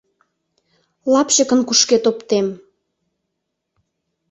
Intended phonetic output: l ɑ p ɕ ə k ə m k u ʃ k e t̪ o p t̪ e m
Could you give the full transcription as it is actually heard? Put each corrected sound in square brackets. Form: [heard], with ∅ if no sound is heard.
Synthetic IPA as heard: l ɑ p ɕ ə k ə [n] k u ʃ k e t̪ o p t̪ e m